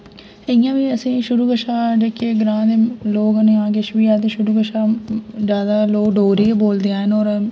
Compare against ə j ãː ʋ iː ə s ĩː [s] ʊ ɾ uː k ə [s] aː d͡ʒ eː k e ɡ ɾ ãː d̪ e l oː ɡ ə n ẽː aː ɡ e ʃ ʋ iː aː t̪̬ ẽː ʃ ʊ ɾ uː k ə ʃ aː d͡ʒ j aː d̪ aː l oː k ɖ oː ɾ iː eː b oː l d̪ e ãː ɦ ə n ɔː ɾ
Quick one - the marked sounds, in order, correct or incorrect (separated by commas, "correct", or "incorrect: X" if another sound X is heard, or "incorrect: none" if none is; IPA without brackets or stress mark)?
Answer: incorrect: ʃ, incorrect: ʃ